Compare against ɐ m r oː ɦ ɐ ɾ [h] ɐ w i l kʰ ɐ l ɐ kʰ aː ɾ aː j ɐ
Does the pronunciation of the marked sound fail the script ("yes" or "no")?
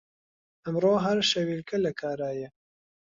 yes